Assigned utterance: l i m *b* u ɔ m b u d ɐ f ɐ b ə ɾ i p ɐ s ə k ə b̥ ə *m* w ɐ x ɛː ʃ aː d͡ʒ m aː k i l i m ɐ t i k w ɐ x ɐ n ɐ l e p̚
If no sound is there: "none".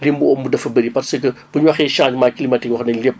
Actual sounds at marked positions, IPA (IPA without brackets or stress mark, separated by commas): b, ɲ